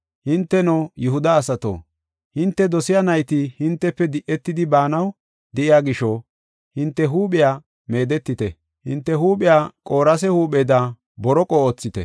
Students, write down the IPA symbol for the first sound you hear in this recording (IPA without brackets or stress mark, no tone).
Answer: h